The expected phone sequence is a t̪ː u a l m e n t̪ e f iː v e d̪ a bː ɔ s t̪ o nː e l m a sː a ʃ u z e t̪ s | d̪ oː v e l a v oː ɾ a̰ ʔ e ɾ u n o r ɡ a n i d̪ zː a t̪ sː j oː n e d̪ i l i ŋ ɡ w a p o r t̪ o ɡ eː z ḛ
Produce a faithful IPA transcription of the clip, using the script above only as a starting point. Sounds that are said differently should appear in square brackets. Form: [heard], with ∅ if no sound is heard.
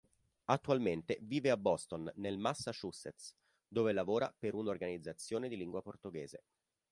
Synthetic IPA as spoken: a t̪ː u a l m e n t̪ e [v] iː v e [∅] a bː ɔ s t̪ o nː e l m a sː a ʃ u [s] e t̪ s | d̪ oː v e l a v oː ɾ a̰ [p] e ɾ u n o r ɡ a n i d̪ zː a t̪ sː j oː n e d̪ i l i ŋ ɡ w a p o r t̪ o ɡ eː z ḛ

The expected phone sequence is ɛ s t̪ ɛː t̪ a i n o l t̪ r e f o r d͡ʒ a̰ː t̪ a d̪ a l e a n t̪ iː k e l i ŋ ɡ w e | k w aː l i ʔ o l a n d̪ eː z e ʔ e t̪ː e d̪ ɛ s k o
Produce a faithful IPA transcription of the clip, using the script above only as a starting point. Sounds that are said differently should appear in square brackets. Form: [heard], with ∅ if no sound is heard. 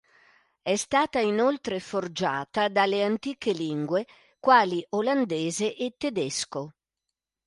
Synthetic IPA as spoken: ɛ s t̪ [aː] t̪ a i n o l t̪ [ɾ] e f o r d͡ʒ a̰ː t̪ a d̪ a l e a n t̪ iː k e l i ŋ ɡ w e | k w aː l i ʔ o l a n d̪ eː z e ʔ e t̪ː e d̪ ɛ s k o

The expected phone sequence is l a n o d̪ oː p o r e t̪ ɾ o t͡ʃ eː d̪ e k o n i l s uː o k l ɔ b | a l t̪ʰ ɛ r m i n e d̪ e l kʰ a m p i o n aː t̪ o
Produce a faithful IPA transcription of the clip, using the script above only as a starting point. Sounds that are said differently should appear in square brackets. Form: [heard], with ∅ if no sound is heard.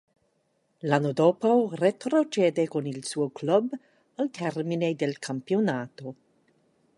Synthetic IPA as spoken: l a n o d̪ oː p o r e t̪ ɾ o t͡ʃ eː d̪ e k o n i l s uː o k l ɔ b | a l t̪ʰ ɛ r m i n e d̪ e l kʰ a m p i o n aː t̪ o

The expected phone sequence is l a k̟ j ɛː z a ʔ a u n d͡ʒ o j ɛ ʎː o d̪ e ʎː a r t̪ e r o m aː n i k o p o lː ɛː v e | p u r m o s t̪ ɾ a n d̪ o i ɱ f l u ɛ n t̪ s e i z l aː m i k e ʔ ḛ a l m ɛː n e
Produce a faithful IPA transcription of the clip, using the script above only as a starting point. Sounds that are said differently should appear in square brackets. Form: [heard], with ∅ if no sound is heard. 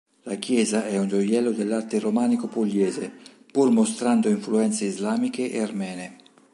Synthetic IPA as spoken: l a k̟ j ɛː z a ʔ [ɛ] u n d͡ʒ o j ɛ [lː] o d̪ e [lː] a r t̪ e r o m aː n i k o p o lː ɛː [z] e | p u r m o s t̪ ɾ a n d̪ o i ɱ f l u ɛ n t̪ s e i z l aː m i k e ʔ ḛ a [r] m ɛː n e

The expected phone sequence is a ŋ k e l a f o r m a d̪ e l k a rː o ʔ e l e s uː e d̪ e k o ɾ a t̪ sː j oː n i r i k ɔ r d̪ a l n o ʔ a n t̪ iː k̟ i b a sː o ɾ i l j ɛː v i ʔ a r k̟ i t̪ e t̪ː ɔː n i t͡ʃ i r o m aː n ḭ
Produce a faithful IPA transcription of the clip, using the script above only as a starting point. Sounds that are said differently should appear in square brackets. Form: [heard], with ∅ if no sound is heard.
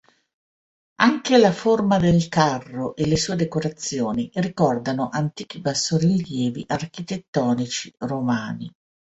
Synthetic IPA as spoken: a ŋ k e l a f o r m a d̪ e l k a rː o ʔ e l e s uː e d̪ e k o ɾ a t̪ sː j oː n i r i k ɔ r d̪ a [∅] n o ʔ a n t̪ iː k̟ i b a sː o ɾ i l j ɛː v i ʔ a r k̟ i t̪ e t̪ː ɔː n i t͡ʃ i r o m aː n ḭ

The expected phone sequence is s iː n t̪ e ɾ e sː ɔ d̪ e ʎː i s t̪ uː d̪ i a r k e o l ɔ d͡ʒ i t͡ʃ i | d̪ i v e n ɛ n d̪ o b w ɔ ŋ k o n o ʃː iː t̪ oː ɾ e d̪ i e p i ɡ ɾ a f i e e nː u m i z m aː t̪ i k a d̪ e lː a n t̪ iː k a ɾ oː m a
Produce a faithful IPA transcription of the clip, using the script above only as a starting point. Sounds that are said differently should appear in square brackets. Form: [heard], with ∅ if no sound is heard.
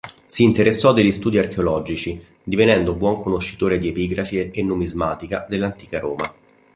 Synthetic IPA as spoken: s iː n t̪ e ɾ e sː ɔ d̪ e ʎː i s t̪ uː d̪ i a r k e o l ɔ d͡ʒ i t͡ʃ i | d̪ i v e n ɛ n d̪ o b w ɔ ŋ k o n o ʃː [i] t̪ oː ɾ e d̪ i e p i ɡ ɾ a f i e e nː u m i z m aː t̪ i k a d̪ e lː a n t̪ iː k a ɾ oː m a

